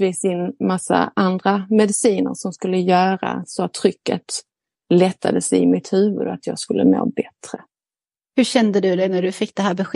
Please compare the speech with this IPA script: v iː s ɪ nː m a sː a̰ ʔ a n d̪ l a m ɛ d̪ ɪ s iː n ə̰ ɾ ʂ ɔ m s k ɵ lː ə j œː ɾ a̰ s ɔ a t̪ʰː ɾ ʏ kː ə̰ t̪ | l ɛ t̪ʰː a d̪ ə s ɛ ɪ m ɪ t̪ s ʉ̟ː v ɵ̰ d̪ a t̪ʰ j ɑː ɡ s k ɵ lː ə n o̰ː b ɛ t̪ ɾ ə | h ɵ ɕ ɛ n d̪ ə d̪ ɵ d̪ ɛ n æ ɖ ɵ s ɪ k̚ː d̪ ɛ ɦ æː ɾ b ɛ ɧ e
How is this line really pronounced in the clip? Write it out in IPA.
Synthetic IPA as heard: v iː s ɪ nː m a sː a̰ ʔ a n d̪ ɾ a m ɛ d̪ ɪ s iː n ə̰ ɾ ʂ ɔ m s k ɵ lː ə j œː ɾ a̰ s ɔ a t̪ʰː ɾ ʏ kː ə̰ t̪ | l ɛ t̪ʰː a d̪ ə s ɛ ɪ m ɪ t̪ h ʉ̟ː v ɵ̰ d̪ a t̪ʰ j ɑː ɡ s k ɵ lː ə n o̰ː b ɛ t̪ ɾ ə | h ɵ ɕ ɛ n d̪ ə d̪ ɵ d̪ ɛ n æ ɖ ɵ f ɪ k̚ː d̪ ɛ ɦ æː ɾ b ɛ ɧ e